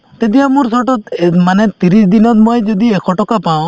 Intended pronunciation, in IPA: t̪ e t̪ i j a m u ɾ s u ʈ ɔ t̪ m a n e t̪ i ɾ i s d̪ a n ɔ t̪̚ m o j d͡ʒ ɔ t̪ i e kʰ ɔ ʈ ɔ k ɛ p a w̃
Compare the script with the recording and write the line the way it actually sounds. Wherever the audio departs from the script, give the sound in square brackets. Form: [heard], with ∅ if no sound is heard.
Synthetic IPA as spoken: t̪ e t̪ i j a m u ɾ s [ɔ] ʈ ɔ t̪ m a n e t̪ i ɾ i s d̪ [i] n ɔ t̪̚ m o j d͡ʒ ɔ [d̪] i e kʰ ɔ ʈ ɔ k [a] p a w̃

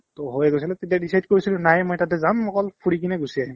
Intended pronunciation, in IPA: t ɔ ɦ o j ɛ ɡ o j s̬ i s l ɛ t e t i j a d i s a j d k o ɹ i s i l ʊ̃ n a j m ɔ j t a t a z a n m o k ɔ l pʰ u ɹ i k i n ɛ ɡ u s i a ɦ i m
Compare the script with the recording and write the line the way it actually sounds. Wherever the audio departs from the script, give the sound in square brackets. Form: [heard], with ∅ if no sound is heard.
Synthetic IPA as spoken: t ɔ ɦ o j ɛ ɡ o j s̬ i [∅] l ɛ t e t i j a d i s a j d k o ɹ i s i l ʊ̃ n a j m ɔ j t a t [ɛ] z a n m [ɔ] k ɔ l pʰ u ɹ i k i n ɛ ɡ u s i a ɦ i m

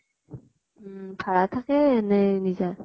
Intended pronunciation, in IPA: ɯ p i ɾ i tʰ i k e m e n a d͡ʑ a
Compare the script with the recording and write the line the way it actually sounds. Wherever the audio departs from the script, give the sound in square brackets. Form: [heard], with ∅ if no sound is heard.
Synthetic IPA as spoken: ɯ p [a] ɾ [a] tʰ [a] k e [n] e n [i] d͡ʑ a

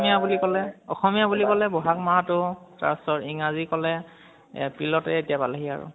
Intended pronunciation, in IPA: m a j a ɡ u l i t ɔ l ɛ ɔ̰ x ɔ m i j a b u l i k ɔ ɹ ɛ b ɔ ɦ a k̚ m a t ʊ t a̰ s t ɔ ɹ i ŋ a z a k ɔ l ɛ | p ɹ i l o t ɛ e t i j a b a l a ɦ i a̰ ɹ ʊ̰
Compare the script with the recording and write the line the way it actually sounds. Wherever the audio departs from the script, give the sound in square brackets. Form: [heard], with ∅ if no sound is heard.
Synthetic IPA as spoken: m [i] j a [b] u l i [k] ɔ l ɛ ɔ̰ x ɔ m i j a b u l i k ɔ [l] ɛ b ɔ ɦ a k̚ m a t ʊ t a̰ s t ɔ ɹ i ŋ a z [i] k ɔ l ɛ | p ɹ i l [ɔ] t ɛ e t i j a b a l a ɦ i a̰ ɹ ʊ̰

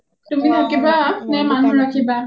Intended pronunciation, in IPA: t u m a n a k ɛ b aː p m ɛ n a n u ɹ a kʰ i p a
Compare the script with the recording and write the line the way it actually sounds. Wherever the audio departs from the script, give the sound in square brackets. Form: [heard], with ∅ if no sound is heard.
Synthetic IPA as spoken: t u m [i] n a k [i] b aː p [n] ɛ [m] a n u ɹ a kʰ i [b] a

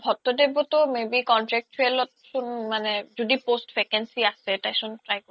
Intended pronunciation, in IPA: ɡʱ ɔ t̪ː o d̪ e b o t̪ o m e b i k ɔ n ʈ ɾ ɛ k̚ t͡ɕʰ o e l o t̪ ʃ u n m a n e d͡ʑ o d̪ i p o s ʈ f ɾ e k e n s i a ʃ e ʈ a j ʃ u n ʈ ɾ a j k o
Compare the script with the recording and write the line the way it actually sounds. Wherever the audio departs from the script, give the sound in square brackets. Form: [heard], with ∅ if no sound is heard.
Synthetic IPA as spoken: [bʱ] ɔ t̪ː o d̪ e b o t̪ o m e b i k ɔ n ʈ ɾ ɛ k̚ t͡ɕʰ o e l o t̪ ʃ u n m a n e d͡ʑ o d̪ i p o s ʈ f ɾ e k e n s i a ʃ e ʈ a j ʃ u n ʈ ɾ a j k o

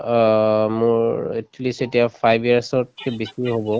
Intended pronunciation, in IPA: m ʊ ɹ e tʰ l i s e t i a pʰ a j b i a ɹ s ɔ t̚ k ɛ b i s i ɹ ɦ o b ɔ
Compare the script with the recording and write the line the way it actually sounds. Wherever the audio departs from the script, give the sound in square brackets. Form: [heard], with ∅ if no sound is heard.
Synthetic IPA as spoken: m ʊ ɹ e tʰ l i s e t i a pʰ a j b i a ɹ s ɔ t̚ k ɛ b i s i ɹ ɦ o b ɔ

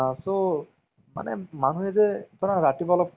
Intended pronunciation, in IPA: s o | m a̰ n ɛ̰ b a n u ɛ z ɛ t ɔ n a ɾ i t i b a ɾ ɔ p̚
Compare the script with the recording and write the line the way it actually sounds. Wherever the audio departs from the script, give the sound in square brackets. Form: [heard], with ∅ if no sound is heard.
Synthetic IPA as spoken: s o | m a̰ n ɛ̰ [m] a n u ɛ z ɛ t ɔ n a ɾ [a] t i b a [l] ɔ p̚

